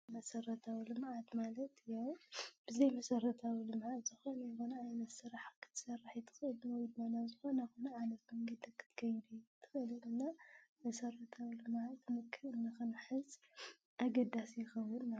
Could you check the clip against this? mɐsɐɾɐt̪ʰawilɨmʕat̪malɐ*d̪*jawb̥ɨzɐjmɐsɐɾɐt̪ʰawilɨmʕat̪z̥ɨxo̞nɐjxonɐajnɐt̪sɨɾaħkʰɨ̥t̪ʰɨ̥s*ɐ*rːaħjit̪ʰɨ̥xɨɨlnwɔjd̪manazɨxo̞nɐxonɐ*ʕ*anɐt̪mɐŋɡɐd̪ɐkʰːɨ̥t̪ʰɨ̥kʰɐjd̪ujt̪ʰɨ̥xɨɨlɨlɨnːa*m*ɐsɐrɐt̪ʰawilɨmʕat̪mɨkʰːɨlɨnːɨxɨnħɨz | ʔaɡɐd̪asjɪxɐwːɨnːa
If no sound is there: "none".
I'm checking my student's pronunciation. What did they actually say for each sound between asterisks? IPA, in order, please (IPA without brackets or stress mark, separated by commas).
t̪, ɐ, ʕ, m